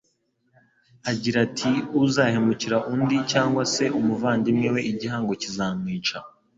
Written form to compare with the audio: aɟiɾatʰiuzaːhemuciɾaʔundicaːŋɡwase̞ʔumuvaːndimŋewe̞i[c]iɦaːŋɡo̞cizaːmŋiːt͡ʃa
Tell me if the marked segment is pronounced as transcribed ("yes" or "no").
no